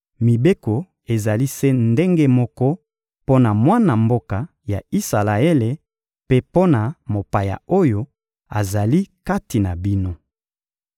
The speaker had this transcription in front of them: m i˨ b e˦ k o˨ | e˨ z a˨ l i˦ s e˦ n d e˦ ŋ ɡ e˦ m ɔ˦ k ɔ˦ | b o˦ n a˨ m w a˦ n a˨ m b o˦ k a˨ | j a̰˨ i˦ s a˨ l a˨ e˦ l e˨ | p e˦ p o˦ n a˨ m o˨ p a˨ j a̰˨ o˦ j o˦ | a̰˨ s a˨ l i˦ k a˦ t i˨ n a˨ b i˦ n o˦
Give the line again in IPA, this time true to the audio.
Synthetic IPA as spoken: m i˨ b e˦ k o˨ | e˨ z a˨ l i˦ s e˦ n d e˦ ŋ ɡ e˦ m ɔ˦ k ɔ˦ | p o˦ n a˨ m w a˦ n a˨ m b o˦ k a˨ | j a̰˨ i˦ s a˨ l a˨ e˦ l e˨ | p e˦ p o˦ n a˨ m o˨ p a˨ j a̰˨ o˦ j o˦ | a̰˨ z a˨ l i˦ k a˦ t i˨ n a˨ b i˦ n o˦